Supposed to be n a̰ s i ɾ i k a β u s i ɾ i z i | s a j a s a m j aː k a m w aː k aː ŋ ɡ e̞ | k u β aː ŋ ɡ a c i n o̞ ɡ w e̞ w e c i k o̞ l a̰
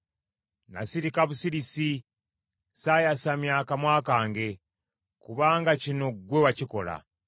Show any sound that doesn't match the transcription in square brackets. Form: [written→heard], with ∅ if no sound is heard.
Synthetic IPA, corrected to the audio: n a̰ s i ɾ i k a β u s i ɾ i [z→s] i | s a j a s a m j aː k a m w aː k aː ŋ ɡ e̞ | k u β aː ŋ ɡ a c i n o̞ ɡ w e̞ w [e→a] c i k o̞ l a̰